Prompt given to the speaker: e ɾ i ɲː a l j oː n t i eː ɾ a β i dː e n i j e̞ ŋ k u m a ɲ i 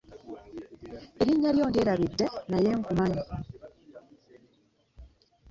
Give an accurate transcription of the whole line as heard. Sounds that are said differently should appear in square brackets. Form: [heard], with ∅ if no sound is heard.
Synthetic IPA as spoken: e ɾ i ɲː a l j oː n [d] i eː ɾ a β i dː e n [a] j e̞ ŋ k u m a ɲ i